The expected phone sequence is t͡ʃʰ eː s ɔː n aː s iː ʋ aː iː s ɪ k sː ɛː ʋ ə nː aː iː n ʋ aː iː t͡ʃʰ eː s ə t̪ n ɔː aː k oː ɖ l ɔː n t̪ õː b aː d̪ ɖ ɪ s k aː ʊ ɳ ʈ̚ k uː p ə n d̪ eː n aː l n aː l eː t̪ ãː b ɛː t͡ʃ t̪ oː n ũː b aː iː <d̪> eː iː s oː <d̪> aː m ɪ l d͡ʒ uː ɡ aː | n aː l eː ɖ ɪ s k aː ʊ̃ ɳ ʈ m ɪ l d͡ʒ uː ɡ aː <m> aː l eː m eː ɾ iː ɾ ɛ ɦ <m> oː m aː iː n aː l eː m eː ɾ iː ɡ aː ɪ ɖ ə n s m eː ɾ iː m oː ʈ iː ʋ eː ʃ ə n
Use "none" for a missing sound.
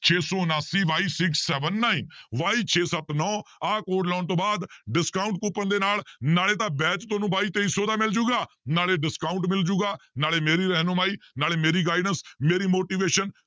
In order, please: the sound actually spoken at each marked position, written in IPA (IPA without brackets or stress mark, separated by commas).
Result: t̪, d̪, n, n